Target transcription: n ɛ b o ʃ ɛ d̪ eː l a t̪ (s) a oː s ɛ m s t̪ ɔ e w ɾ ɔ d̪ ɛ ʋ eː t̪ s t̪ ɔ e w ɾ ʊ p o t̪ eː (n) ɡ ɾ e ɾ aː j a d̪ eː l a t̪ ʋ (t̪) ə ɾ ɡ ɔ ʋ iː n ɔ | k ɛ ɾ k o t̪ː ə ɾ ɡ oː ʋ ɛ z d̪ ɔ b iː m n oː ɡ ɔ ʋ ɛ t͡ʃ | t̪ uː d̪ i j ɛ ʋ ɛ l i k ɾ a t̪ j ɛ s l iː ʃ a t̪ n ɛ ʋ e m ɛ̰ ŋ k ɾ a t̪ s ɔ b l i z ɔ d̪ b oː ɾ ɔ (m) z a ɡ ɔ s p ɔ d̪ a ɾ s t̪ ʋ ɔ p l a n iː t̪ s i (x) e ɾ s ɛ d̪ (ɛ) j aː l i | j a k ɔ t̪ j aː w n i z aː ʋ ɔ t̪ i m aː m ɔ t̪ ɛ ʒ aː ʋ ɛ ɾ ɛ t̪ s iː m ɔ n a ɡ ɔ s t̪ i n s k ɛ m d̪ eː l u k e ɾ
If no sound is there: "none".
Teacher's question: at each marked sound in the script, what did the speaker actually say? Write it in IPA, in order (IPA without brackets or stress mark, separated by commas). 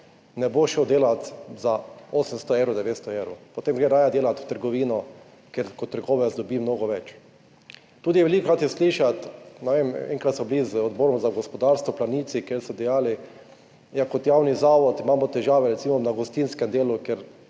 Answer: z, m, t̪, m, k, ɛ